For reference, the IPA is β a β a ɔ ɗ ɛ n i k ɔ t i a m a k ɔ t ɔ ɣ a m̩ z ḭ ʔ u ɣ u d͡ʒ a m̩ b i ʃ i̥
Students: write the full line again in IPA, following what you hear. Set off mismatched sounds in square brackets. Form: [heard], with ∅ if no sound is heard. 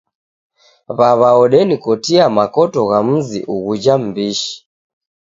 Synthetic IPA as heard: β a β a ɔ ɗ ɛ n i k ɔ t i a m a k ɔ t ɔ ɣ a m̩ z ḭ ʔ u ɣ u d͡ʒ a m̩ b i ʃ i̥